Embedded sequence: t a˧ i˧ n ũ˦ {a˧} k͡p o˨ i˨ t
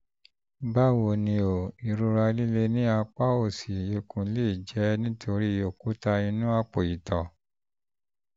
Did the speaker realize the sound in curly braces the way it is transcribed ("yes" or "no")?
yes